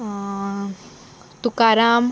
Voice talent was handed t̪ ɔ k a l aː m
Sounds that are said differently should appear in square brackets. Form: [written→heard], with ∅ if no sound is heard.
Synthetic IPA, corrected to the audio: t̪ [ɔ→u] k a [l→ɾ] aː m